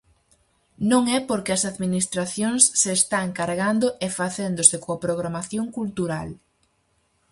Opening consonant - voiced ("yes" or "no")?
yes